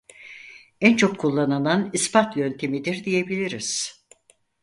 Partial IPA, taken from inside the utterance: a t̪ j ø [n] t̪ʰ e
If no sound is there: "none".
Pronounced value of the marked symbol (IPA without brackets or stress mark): n